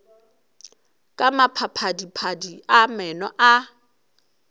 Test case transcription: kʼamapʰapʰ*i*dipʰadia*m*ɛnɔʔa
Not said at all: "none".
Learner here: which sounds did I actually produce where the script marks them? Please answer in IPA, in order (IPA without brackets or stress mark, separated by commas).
a, m